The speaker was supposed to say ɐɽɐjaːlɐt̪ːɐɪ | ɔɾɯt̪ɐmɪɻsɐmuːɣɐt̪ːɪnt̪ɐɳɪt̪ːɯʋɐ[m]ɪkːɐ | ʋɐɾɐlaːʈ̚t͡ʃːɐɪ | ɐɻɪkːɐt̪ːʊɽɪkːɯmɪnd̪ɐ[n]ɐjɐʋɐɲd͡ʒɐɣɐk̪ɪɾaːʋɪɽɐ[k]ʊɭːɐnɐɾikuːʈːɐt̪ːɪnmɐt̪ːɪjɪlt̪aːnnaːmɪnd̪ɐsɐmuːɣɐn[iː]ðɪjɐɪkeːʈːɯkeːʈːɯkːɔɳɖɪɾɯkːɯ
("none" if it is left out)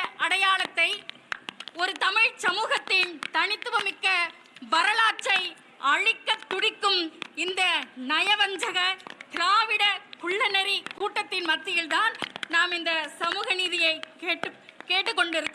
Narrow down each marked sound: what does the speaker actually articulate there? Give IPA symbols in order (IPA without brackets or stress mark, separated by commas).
m, n, k, iː